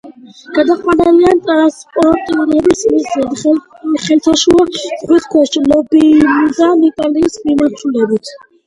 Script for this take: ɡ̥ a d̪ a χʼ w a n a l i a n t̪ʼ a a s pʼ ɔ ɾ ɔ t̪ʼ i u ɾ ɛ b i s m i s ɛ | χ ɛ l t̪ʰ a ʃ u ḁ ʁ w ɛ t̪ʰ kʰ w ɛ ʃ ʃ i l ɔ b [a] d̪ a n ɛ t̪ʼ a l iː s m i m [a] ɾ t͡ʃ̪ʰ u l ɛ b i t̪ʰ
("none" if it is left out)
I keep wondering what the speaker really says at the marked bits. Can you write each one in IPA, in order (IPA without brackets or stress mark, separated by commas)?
i, a